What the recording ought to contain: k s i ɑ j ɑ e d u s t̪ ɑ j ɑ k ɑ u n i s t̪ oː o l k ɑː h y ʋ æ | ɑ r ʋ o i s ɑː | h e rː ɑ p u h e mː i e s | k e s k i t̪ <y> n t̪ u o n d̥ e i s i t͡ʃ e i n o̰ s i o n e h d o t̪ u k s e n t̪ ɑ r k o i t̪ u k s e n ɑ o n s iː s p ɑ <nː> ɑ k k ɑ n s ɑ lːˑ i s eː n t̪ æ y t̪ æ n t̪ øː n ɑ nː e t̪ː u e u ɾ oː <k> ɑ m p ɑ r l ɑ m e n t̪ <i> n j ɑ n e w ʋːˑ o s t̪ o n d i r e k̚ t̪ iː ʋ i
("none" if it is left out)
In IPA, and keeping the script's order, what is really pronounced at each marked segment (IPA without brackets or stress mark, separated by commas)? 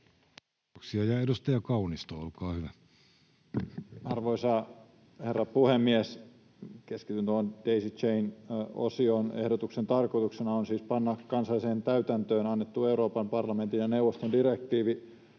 y, nː, p, i